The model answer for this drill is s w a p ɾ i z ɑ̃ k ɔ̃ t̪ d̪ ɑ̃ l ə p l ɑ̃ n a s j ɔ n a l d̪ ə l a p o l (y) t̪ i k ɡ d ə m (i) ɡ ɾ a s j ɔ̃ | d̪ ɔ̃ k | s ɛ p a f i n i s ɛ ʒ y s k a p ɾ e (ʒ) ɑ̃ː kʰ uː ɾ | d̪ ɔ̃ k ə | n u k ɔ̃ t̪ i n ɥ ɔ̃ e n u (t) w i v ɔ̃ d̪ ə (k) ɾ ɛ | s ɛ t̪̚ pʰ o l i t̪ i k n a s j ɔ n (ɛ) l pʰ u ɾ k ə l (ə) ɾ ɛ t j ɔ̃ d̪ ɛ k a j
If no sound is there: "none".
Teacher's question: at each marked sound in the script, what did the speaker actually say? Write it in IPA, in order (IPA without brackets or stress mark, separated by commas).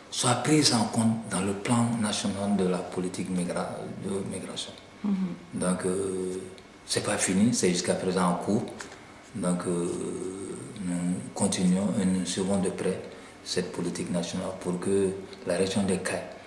i, i, z, s, p, a, a